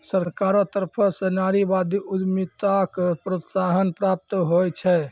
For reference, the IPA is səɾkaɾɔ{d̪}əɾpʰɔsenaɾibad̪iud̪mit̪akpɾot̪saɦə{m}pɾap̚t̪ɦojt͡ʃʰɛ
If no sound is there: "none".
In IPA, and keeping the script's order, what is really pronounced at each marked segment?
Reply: t̪, n

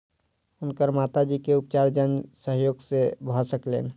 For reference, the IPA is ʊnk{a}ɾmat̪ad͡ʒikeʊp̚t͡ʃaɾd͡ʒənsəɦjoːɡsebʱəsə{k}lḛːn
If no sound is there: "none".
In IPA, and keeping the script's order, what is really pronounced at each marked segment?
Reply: ə, k

